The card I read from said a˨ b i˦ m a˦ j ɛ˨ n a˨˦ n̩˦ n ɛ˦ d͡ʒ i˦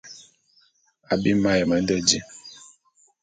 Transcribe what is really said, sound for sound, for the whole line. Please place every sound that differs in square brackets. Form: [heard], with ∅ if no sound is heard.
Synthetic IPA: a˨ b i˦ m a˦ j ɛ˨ [m] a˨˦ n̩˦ [d] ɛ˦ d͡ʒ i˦